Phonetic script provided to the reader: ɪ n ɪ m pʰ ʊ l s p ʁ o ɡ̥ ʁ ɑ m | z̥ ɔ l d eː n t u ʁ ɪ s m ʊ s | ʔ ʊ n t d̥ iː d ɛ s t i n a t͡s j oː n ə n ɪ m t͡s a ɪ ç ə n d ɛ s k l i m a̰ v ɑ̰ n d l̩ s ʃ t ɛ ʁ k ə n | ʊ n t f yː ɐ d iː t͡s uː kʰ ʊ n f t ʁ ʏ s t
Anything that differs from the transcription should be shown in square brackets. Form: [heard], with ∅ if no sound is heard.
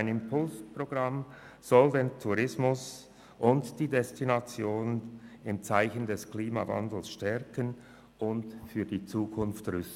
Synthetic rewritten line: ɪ n ɪ m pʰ ʊ l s p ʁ o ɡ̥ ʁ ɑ m | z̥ ɔ l d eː n [tʰ] u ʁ ɪ s m ʊ s | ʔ ʊ n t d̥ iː d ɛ s t i n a t͡s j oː n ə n ɪ m t͡s a ɪ ç ə n d ɛ s k l [iː] m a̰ v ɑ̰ n d l̩ s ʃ t ɛ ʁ k ə n | ʊ n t f yː ɐ d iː t͡s uː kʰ ʊ n f t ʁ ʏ s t